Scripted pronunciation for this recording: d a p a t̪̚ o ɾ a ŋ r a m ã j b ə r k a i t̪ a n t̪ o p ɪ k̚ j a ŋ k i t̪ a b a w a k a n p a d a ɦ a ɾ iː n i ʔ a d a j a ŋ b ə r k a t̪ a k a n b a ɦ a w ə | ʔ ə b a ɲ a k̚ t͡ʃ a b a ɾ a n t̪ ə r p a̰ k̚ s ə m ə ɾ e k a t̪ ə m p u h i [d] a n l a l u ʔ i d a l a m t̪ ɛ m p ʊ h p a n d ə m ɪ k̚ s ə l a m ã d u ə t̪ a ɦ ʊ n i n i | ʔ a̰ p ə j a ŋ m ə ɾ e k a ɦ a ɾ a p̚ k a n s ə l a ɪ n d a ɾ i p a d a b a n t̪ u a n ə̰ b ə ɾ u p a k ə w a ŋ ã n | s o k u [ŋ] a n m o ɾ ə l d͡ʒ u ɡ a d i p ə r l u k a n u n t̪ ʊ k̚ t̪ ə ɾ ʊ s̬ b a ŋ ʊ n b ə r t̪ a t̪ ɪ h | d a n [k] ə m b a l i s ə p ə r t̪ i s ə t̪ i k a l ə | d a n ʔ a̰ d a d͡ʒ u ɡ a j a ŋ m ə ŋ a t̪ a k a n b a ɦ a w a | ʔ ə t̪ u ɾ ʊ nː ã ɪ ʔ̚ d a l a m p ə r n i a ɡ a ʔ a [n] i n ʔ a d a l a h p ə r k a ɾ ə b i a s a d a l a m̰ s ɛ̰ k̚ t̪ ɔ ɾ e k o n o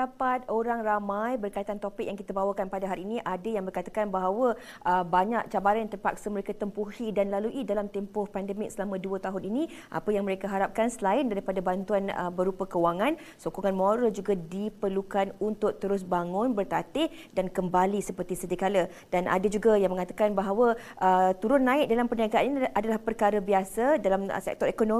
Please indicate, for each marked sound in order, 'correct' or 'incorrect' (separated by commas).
correct, correct, correct, correct